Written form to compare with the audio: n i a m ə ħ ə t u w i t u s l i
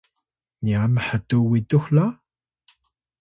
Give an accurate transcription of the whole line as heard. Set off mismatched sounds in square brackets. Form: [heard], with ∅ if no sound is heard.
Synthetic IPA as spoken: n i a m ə ħ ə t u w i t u [x] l [a]